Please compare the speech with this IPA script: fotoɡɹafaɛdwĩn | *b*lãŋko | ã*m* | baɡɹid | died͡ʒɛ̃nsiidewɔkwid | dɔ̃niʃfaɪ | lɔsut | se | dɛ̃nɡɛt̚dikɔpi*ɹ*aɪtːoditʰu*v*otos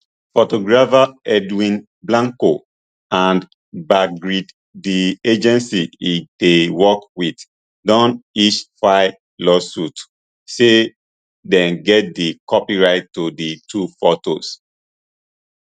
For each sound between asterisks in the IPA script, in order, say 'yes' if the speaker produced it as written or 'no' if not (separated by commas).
yes, no, yes, no